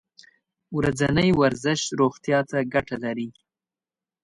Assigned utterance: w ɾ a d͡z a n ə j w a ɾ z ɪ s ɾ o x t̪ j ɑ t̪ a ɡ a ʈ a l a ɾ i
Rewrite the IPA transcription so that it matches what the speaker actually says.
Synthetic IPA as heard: w ɾ a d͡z a n ə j w a ɾ z ɪ ʃ ɾ o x t̪ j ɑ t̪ a ɡ a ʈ a l a ɾ i